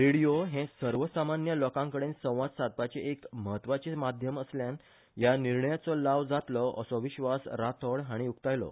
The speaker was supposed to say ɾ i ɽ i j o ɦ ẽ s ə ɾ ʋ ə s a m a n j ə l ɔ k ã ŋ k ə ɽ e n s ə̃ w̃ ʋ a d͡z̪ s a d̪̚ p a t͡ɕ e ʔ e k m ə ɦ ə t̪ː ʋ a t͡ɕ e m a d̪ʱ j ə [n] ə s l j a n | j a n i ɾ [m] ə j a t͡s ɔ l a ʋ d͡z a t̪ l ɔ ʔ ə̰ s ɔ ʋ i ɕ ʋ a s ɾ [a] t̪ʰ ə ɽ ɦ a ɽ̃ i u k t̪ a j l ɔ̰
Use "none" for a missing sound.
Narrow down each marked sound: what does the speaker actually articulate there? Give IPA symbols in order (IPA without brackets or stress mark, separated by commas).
m, ɳ, a